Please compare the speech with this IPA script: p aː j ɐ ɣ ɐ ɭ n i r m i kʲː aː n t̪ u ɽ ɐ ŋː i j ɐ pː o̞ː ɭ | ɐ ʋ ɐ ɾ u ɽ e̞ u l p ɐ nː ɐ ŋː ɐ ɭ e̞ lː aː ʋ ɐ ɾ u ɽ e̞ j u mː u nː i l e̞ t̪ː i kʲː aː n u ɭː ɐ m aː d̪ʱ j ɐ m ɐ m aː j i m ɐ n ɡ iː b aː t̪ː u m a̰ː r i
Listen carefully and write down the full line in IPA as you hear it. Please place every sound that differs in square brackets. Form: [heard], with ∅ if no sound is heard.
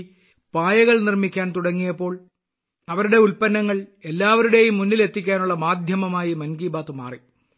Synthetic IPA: p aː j ɐ ɣ ɐ ɭ n i r m i kʲː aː n t̪ u ɽ ɐ ŋː i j ɐ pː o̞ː ɭ | ɐ ʋ ɐ ɾ u ɽ e̞ u l p ɐ nː ɐ ŋː ɐ ɭ e̞ lː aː ʋ ɐ ɾ u ɽ e̞ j u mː u nː i l e̞ t̪ː i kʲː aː n u ɭː ɐ m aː d̪ʱ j ɐ m ɐ m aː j i m ɐ n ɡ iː b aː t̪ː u m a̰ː r i